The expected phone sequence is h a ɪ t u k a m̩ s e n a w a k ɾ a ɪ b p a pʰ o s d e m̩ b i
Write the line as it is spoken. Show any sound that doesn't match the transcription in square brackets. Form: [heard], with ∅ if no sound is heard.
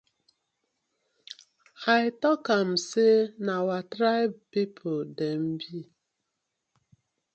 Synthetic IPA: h a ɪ t [ɔ] k a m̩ s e n a w a [t] ɾ a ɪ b p [i] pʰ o [∅] d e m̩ b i